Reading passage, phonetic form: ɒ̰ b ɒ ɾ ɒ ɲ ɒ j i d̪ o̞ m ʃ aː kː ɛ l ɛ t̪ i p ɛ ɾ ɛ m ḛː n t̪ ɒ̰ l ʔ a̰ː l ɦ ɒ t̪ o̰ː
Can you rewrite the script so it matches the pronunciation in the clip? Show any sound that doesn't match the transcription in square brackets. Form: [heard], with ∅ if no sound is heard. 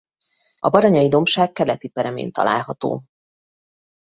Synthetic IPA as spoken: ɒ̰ b ɒ ɾ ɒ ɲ ɒ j i d̪ o̞ m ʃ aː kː ɛ l ɛ t̪ i p ɛ ɾ ɛ m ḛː n t̪ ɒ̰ l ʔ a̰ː l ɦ ɒ t̪ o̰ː